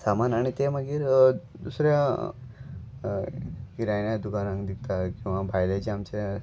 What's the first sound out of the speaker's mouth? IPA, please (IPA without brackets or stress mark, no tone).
s